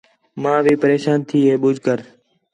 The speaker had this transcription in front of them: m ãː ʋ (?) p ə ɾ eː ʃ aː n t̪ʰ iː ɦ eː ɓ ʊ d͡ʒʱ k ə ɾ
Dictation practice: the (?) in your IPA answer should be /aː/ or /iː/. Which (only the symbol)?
iː